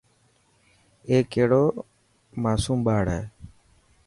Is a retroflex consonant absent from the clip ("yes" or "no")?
no